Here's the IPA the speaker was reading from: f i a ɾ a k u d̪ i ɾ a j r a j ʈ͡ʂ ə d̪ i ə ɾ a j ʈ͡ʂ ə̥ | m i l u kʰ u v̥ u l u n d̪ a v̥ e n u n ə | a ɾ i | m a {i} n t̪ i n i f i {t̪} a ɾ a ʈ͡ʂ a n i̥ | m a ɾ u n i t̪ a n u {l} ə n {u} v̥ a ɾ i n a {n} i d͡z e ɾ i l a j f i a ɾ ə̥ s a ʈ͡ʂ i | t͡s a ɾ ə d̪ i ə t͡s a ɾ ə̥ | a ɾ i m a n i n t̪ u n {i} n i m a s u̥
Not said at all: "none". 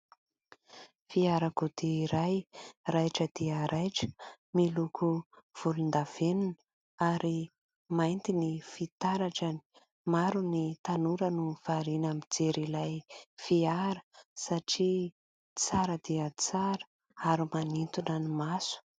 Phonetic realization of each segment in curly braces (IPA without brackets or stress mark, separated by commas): j, t̪, ɾ, u, m, a